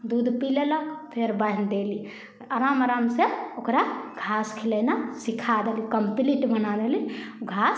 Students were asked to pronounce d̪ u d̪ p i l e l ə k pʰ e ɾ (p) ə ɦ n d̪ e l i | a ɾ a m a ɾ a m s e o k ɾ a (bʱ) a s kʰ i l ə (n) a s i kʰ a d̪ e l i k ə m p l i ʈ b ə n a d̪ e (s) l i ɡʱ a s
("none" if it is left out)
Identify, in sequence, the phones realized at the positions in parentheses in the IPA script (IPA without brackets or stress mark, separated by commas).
b, ɡʱ, n, none